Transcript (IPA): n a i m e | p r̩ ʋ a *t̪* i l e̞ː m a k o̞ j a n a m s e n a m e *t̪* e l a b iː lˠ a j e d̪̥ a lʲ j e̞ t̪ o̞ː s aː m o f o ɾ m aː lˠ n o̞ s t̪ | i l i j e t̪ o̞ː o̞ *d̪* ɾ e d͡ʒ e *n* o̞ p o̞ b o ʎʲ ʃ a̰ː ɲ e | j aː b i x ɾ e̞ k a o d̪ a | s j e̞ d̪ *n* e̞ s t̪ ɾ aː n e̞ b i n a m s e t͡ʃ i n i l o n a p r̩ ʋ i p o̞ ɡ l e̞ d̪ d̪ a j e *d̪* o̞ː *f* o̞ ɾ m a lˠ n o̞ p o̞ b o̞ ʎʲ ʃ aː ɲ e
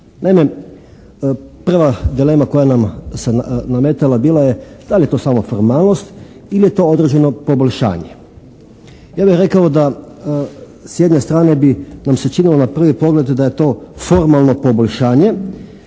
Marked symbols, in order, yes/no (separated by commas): no, yes, yes, yes, no, no, yes